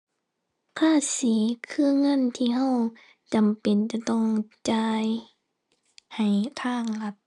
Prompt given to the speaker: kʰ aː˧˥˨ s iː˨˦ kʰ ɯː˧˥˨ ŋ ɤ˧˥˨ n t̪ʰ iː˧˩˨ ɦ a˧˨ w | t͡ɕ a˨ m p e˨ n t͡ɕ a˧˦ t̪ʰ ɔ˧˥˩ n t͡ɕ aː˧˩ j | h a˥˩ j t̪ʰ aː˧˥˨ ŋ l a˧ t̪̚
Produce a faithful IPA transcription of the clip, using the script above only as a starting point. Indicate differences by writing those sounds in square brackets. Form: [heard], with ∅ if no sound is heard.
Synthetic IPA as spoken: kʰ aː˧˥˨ s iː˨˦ kʰ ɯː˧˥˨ ŋ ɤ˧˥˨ n t̪ʰ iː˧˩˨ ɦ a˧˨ w | t͡ɕ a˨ m p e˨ n t͡ɕ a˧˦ [t̪] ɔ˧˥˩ [ŋ] t͡ɕ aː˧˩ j | h [a˨˩] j t̪ʰ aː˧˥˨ ŋ l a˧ t̪̚

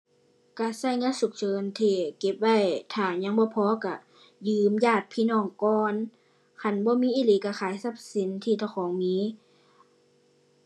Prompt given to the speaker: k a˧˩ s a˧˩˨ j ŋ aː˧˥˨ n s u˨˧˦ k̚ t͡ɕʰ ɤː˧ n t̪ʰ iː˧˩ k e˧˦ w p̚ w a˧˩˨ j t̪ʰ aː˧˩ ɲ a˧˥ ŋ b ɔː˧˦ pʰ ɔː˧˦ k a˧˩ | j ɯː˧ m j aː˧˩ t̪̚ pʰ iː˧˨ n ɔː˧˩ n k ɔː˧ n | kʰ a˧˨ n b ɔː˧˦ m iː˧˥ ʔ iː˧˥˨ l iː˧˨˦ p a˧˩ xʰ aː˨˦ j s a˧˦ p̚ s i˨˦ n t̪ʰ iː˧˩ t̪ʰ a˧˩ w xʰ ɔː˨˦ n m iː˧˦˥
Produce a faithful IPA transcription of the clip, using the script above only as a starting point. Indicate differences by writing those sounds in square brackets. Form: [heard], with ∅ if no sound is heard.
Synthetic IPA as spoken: k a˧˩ s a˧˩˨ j ŋ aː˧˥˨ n s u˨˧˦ k̚ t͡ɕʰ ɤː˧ n t̪ʰ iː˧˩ k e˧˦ [∅] p̚ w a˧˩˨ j t̪ʰ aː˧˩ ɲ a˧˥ ŋ b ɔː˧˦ pʰ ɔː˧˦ k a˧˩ | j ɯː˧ m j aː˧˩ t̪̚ pʰ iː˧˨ n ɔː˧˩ [ŋ] k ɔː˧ n | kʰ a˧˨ n b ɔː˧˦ m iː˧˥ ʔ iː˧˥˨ l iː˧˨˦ [k] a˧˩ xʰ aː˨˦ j s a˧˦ p̚ s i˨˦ n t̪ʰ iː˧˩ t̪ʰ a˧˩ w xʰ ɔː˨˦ [ŋ] m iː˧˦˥

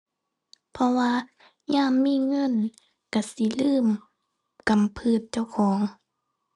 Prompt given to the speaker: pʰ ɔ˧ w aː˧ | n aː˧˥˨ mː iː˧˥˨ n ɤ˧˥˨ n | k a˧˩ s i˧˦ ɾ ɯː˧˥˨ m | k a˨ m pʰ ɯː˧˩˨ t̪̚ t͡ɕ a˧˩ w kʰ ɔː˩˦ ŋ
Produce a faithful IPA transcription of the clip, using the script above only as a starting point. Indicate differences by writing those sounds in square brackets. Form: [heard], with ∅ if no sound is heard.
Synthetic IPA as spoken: pʰ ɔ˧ w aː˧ | [ɲ] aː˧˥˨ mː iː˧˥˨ [ŋ] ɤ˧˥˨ n | k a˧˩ s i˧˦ [l] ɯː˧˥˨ m | k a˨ m pʰ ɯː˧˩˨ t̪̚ t͡ɕ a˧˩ w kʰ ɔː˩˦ ŋ

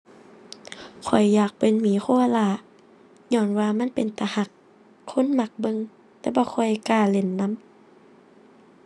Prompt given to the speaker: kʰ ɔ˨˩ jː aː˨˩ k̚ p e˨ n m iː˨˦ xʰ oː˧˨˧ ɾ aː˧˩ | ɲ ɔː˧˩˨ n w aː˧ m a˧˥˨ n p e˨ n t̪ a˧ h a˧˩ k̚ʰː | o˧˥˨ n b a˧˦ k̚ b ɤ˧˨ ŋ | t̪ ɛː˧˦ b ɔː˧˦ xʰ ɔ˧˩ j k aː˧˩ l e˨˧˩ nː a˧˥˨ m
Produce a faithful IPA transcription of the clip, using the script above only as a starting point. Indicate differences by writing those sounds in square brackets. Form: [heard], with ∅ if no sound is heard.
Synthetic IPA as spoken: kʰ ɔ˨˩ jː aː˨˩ k̚ p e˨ n m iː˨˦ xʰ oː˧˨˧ [l] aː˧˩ | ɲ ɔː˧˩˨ n w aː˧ m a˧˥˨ n p e˨ n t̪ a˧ h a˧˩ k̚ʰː | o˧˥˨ n [m] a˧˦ k̚ b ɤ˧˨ ŋ | t̪ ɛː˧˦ b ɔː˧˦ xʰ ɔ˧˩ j k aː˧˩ l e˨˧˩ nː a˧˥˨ m

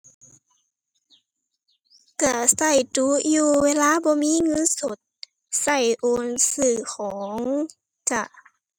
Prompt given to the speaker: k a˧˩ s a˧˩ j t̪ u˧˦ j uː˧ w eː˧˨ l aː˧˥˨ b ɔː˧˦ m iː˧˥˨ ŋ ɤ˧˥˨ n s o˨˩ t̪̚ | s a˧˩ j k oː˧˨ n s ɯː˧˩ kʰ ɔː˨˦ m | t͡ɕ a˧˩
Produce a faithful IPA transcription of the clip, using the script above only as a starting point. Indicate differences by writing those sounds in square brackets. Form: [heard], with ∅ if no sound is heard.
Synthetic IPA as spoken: k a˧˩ s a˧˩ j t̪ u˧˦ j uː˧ w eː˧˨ l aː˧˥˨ b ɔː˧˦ m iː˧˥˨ ŋ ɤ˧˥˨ n s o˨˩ t̪̚ | s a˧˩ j [ʔ] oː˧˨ n s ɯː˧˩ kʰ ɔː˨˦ [ŋ] | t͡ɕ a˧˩

